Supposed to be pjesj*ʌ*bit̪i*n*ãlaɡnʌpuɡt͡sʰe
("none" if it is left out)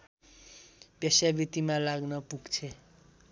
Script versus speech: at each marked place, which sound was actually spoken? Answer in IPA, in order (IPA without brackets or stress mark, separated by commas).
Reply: a, m